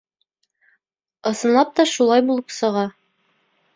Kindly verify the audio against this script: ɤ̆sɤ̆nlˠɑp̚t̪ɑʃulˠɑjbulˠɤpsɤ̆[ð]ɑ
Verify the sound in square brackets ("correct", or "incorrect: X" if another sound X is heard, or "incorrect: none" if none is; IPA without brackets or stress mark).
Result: incorrect: ʁ